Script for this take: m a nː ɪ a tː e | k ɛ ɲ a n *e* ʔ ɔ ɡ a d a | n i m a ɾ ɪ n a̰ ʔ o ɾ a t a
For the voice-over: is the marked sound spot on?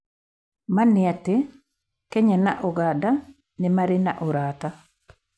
no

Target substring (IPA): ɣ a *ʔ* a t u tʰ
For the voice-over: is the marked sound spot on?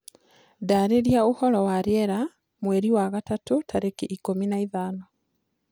no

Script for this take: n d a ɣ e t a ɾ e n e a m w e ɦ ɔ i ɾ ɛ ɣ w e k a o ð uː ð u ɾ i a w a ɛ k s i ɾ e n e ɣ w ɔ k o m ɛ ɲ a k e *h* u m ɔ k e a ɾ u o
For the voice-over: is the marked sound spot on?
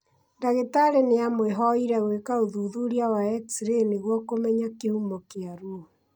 yes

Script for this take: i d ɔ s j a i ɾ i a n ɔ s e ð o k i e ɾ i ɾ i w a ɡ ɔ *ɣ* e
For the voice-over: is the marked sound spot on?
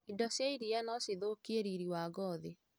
no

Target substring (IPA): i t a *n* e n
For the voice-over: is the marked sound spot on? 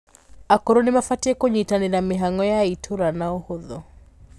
yes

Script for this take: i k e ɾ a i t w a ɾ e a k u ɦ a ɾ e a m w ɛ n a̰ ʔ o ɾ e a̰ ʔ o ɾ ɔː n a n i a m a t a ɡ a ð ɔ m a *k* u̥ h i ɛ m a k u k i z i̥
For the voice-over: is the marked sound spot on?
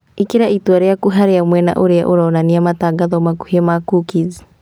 yes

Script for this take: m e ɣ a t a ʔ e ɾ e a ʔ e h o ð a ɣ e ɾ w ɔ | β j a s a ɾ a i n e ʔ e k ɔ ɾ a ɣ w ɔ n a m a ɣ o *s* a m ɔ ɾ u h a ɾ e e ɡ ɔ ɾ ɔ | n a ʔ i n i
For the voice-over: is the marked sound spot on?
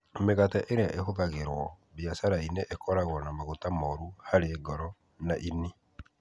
no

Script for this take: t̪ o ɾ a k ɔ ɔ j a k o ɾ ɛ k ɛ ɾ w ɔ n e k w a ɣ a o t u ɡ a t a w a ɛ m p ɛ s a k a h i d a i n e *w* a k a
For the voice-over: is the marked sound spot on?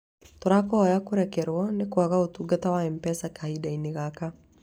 no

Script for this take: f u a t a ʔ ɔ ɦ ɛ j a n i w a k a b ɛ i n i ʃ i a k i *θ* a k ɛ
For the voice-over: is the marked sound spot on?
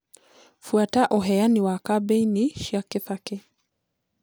yes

